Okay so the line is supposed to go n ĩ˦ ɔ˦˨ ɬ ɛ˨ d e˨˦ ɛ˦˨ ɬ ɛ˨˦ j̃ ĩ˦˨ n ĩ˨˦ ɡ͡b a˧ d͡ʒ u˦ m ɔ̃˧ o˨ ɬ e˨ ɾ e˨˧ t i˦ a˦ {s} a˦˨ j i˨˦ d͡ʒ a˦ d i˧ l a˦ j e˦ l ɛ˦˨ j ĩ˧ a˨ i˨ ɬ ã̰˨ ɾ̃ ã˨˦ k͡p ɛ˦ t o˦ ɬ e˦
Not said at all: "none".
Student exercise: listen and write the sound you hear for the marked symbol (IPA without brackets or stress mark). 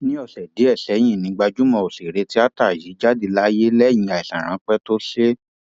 t